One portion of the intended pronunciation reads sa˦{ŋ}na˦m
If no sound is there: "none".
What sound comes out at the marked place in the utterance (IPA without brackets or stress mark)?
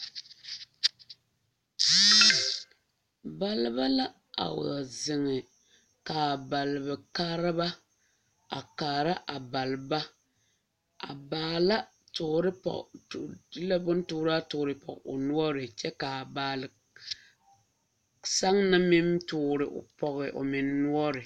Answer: ŋ